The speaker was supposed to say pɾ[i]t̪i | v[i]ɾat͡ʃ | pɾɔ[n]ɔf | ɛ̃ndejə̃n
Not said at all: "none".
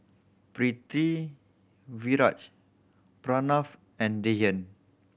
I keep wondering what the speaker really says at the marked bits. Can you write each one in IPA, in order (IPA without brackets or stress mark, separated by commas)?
i, i, n